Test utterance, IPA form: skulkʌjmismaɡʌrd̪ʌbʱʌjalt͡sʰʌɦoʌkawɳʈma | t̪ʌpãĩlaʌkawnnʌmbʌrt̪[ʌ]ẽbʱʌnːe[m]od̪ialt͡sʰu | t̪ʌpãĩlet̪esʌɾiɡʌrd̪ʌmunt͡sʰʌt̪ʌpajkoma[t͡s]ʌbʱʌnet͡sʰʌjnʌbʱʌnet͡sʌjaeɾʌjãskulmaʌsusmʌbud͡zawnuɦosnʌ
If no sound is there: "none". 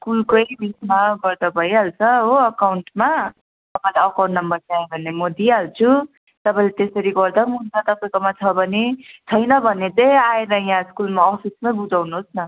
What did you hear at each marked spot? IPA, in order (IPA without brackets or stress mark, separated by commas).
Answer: a, m, t͡sʰ